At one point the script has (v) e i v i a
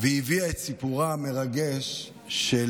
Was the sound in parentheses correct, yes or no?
yes